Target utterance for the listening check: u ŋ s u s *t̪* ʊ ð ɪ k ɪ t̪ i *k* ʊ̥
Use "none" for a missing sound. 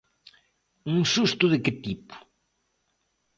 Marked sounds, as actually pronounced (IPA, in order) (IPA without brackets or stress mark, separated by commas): t̪, p